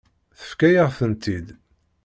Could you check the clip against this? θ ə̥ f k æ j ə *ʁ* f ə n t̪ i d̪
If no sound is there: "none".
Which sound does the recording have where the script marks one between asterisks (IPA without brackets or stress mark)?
ʁ